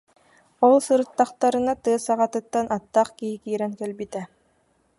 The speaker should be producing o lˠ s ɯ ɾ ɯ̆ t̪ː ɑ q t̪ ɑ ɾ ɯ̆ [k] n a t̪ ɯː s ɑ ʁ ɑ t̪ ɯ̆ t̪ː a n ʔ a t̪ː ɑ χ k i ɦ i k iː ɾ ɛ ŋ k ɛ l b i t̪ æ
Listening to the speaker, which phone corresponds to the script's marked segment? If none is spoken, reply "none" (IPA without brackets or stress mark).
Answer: none